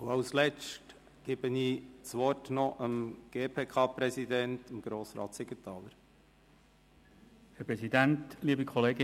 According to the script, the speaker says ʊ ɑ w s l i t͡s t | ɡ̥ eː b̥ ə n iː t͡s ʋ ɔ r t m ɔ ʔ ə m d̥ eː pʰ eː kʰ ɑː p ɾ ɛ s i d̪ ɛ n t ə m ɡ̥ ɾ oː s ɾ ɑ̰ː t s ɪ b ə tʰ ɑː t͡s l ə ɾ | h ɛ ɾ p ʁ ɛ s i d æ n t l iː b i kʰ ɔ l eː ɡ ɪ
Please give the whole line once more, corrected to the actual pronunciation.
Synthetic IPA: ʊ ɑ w s l ɛ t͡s t | ɡ̥ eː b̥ ə n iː t͡s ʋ ɔ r t n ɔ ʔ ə m ɡ̥ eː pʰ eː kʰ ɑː p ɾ ɛ s i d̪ ɛ n t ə m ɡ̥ ɾ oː s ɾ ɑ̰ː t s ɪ ɡ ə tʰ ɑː l ə ɾ | h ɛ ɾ p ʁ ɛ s i d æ n t l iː b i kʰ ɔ l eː ɡ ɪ